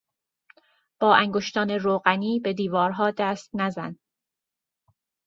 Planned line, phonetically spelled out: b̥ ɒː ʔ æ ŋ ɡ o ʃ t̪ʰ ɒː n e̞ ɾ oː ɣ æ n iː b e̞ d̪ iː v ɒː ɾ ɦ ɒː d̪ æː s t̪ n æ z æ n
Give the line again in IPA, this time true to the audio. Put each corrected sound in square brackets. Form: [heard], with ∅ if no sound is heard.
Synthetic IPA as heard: b̥ ɒː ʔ æ ŋ ɡ o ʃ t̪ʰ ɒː n e̞ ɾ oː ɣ æ n iː b e̞ d̪ iː v ɒː ɾ ɦ ɒː d̪ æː s t̪ n æ z æ n